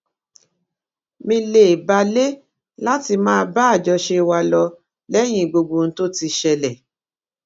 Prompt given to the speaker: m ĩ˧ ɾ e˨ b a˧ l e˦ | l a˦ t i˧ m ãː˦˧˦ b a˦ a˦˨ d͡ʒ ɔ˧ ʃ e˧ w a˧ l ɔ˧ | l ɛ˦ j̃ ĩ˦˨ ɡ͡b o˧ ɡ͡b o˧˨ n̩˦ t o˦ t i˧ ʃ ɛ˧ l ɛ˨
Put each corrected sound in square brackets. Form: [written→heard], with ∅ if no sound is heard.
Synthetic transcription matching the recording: m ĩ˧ [ɾ→l] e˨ b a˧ l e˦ | l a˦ t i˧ m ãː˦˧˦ b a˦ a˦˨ d͡ʒ ɔ˧ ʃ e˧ w a˧ l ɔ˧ | l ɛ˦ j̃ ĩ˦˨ ɡ͡b o˧ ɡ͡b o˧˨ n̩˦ t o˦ t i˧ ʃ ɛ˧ l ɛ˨

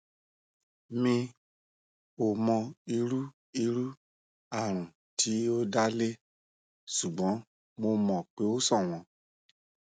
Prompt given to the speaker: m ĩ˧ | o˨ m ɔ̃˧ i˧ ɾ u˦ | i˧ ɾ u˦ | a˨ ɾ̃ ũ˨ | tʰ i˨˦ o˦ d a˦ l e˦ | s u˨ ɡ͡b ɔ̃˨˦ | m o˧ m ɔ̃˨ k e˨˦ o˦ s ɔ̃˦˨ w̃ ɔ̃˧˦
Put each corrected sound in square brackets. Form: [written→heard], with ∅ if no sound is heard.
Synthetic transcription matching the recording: m ĩ˧ | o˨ m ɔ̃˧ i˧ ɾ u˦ | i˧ ɾ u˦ | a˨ ɾ̃ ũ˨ | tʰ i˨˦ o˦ d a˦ l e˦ | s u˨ ɡ͡b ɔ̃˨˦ | m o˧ m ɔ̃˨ [k→k͡p] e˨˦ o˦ s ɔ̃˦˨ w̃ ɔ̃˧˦

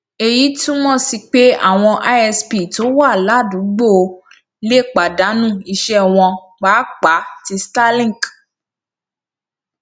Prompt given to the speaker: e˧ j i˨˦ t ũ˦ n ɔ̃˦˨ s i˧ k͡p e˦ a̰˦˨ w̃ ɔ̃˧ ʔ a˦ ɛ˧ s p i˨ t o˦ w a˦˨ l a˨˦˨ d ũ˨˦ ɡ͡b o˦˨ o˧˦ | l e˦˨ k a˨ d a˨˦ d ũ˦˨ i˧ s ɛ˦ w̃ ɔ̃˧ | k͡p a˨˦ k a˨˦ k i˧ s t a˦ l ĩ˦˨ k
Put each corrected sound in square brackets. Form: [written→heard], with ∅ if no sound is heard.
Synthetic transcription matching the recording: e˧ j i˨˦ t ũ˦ [n→m] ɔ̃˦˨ s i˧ k͡p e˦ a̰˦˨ w̃ ɔ̃˧ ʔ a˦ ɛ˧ s p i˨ t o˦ w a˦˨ l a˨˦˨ d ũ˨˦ ɡ͡b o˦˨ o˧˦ | l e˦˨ [k→k͡p] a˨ d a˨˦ [d→n] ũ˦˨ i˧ [s→ʃ] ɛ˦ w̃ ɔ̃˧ | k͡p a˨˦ [k→k͡p] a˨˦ [k→t] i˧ s t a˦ l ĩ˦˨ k

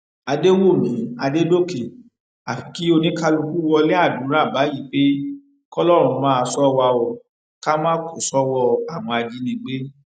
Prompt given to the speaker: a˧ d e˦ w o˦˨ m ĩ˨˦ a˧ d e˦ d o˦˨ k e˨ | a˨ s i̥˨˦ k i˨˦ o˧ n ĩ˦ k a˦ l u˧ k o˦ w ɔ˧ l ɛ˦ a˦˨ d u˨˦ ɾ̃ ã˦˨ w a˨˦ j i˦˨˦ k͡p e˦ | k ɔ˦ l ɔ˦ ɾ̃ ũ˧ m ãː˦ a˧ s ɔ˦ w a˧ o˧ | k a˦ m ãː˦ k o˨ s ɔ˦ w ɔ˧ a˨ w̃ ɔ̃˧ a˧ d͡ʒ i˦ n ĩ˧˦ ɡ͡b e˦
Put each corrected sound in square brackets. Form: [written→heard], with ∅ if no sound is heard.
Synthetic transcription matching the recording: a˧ d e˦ w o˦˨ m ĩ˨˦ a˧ d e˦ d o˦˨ k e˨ | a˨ [s→f] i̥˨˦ k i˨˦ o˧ n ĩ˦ k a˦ l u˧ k [o˦→u˦] w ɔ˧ l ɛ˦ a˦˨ d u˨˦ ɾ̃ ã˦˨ [w→b] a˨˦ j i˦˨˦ k͡p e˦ | k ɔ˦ l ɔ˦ ɾ̃ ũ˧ m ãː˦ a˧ s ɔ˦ w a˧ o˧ | k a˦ m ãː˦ k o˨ s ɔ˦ w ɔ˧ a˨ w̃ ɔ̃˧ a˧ d͡ʒ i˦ n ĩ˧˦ ɡ͡b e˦

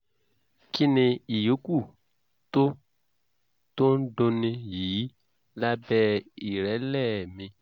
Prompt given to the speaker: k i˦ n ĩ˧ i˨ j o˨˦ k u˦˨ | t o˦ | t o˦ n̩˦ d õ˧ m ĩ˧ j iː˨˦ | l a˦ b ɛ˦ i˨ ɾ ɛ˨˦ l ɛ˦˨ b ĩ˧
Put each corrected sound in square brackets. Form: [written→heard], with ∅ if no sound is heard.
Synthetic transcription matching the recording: k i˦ n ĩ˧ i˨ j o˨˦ k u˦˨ | t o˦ | t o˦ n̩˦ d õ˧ [m→n] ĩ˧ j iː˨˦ | l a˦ b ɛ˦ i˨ ɾ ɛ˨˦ l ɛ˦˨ [b→m] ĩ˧

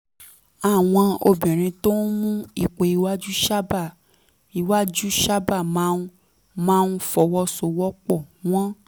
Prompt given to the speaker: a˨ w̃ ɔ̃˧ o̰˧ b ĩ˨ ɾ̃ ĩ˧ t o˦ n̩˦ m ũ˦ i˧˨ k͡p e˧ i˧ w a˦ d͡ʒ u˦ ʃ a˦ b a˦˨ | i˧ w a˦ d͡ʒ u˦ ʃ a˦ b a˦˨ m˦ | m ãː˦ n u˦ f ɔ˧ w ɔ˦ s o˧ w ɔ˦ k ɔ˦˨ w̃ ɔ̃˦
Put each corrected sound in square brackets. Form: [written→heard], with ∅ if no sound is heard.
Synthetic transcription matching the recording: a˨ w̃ ɔ̃˧ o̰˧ b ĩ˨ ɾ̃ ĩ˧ t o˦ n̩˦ m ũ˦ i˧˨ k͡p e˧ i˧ w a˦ d͡ʒ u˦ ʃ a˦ b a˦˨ | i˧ w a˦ d͡ʒ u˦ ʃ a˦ b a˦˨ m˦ | m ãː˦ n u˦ f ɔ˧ w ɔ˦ s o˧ w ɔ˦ [k→k͡p] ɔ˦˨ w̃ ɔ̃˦

